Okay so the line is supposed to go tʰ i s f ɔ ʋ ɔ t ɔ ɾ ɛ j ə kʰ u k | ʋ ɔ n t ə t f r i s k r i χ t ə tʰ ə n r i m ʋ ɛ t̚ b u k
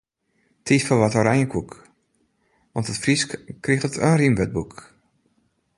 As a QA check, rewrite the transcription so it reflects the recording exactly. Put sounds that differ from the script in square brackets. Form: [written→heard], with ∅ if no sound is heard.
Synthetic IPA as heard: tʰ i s f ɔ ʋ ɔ t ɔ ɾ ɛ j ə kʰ u k | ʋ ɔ n t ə t f r i s k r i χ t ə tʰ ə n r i m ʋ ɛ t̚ b u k

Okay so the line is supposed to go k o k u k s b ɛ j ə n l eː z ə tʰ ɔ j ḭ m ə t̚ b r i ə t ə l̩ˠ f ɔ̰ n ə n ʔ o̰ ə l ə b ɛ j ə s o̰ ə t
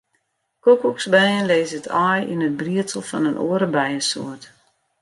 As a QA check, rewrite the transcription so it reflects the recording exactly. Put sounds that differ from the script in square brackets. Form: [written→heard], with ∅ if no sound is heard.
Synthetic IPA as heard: k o k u k s b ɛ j ə n l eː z ə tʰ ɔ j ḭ [m→n] ə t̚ b r i ə t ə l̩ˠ f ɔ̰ n ə n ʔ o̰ ə [l→ɾ] ə b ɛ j ə s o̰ ə t

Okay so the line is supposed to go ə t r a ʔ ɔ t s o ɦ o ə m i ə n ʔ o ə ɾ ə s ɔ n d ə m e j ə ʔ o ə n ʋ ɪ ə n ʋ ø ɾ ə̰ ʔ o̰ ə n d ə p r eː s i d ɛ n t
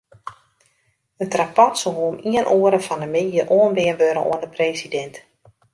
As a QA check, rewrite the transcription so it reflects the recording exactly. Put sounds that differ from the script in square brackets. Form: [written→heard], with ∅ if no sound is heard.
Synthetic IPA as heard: ə t r a [ʔ→p] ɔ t s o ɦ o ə m i ə n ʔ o ə ɾ ə [s→f] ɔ n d ə m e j ə ʔ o ə n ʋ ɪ ə n ʋ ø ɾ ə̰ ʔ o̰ ə n d ə p r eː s i d ɛ n t

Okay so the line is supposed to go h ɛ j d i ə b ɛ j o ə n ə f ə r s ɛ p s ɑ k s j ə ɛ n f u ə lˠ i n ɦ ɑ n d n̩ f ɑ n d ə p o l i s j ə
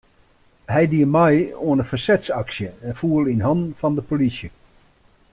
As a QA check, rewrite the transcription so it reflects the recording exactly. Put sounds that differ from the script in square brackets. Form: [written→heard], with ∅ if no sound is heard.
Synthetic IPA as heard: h ɛ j d i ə [b→m] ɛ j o ə n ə f ə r s ɛ [p→t] s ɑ k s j ə ɛ n f u ə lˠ i n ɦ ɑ n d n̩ f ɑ n d ə p o l i s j ə

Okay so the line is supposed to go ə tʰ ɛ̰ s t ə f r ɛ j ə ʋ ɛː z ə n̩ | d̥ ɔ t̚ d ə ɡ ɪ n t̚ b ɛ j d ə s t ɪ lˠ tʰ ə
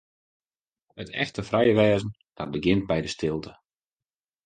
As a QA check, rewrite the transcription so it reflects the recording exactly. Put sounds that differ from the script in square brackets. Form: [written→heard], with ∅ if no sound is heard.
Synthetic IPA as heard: ə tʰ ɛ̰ [s→x] t ə f r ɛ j ə ʋ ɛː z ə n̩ | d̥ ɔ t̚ [d→b] ə ɡ ɪ n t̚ b ɛ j d ə s t ɪ lˠ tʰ ə

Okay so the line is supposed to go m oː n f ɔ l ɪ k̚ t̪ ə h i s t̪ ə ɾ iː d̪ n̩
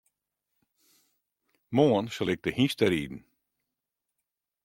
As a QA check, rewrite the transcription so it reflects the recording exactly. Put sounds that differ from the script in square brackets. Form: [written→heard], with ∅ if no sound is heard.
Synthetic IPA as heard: m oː n [f→s] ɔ l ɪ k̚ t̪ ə h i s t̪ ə ɾ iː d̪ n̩

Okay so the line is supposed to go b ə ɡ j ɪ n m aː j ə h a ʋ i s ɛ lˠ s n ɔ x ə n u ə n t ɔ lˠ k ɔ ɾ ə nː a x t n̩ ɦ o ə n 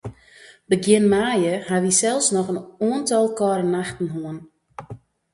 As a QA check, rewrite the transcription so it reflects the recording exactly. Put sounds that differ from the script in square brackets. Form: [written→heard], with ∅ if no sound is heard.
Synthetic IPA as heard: b ə ɡ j ɪ n m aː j ə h a ʋ i s ɛ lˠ s n ɔ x ə n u ə n t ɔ lˠ k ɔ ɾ ə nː a x t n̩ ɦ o ə n

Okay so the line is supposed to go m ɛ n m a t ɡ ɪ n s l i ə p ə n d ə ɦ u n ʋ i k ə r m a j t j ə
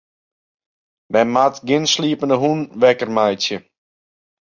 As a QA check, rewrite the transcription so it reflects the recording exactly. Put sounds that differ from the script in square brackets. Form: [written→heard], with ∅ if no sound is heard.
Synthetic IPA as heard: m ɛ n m a t ɡ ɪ n s l i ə p ə n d ə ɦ u n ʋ [i→ɛ] k ə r m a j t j ə

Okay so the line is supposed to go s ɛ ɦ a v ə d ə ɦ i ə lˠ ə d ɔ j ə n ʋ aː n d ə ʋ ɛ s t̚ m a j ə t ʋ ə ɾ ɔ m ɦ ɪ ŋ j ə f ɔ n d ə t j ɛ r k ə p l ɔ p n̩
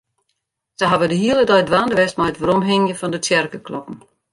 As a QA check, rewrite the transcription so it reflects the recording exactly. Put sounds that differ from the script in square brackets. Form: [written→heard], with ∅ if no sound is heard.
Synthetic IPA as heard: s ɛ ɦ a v ə d ə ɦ i ə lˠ ə d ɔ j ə [n→d] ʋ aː n d ə ʋ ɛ s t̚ m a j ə t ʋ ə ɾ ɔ m ɦ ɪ ŋ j ə f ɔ n d ə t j ɛ r k ə [p→k] l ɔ p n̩

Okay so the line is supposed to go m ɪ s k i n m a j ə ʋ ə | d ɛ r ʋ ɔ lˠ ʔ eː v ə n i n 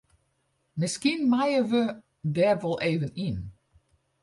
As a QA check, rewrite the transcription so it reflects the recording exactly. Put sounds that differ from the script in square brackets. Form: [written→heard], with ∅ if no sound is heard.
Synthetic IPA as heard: m ɪ s k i n m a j ə ʋ ə | d ɛ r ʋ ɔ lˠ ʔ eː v ə n i n

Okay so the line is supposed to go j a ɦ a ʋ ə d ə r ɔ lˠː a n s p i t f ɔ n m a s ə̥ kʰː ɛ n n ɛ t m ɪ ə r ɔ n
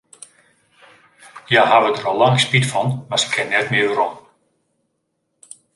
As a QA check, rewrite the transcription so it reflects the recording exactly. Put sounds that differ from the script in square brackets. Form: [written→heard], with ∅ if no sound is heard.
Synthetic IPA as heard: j a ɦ a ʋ ə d ə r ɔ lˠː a [n→ŋ] s p i t f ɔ n m a s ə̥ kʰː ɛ n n ɛ t m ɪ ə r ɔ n

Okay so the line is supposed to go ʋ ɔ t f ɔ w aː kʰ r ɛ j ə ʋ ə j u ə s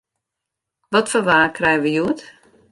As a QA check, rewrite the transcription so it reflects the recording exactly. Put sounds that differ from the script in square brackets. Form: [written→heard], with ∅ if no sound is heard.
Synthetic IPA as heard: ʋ ɔ t f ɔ [w→ʋ] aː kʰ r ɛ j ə ʋ ə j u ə [s→t]

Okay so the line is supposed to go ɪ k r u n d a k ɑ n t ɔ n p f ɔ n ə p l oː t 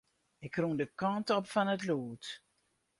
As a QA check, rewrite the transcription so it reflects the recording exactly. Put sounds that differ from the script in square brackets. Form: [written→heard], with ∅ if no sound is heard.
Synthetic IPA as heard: ɪ k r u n d [a→ə] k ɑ n t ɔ [n→∅] p f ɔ n ə [p→t] l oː t

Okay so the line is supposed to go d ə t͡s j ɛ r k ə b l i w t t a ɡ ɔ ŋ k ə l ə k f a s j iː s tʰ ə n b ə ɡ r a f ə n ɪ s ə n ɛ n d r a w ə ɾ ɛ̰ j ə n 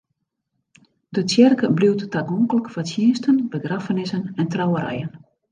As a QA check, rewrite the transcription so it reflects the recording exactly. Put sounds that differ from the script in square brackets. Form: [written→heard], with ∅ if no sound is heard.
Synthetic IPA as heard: d ə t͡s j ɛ r k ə b l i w t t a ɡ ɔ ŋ k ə l ə k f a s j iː s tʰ ə n b ə ɡ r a f ə n ɪ s ə n ɛ n [d→t] r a w ə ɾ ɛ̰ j ə n

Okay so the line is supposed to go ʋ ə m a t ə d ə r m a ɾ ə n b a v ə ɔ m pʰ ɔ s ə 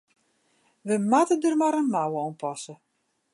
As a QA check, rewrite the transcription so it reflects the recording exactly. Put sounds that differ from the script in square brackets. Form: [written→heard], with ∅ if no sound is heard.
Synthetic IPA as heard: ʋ ə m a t ə d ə r m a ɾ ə n [b→m] a [v→w] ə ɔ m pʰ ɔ s ə

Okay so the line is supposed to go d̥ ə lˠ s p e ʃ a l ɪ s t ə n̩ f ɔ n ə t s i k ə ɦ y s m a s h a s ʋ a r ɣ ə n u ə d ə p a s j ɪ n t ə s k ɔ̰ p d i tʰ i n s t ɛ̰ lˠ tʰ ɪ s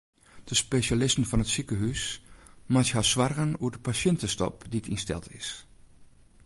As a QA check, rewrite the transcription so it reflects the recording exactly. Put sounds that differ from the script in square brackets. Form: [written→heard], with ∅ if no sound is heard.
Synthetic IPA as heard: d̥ ə [lˠ→∅] s p e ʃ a l ɪ s t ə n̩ f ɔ n ə t s i k ə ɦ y s m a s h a s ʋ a r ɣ ə n u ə d ə p a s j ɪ n t ə s [k→t] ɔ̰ p d i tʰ i n s t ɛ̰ lˠ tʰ ɪ s

